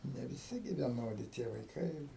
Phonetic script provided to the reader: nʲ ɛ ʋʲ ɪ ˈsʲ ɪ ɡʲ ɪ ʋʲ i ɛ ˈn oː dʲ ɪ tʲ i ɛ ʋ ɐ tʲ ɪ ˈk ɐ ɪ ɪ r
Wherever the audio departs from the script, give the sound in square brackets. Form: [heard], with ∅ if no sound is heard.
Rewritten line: nʲ ɛ ʋʲ ɪ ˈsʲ ɪ ɡʲ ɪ ʋʲ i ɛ ˈn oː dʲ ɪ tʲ i ɛ ʋ ɐ [∅] ɪ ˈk ɐ ɪ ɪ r